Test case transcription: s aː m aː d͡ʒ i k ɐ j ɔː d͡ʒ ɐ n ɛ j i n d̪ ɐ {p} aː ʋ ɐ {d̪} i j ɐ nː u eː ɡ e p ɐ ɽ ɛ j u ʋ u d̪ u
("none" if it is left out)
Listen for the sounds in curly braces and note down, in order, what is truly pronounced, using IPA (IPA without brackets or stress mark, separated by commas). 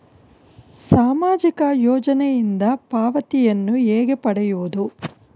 p, t̪